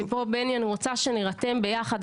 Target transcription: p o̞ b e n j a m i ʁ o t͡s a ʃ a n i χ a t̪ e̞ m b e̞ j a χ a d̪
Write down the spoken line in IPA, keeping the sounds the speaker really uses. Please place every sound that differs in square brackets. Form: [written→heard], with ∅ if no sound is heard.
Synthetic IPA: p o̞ b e n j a [m→n] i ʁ o t͡s a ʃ [a→e] n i [χ→ʁ] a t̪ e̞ m b e̞ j a χ a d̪